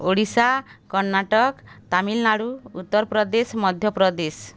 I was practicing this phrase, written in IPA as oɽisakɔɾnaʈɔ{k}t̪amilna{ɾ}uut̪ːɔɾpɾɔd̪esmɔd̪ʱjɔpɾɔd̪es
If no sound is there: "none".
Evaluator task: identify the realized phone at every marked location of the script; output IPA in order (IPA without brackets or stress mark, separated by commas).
k, ɽ